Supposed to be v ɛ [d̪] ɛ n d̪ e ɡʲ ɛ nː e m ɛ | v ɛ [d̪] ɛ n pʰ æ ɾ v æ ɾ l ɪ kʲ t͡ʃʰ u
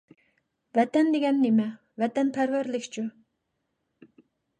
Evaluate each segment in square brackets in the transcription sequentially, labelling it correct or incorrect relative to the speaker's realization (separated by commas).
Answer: incorrect, incorrect